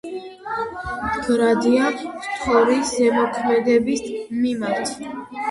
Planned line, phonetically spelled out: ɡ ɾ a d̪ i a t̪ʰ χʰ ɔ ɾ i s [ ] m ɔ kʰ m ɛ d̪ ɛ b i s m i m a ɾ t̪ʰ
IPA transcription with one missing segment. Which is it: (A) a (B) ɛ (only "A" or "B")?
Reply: B